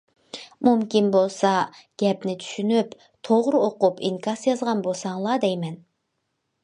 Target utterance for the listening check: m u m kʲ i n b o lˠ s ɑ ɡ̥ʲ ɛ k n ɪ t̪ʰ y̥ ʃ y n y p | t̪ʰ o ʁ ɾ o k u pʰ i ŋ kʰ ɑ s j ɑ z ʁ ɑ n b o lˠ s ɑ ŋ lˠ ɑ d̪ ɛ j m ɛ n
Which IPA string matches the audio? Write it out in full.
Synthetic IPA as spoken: m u m kʲ i n b o lˠ s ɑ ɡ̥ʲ ɛ p n ɪ t̪ʰ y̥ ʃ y n y p | t̪ʰ o ʁ ɾ o q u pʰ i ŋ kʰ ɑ s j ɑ z ʁ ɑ n b o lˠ s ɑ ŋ lˠ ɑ d̪ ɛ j m ɛ n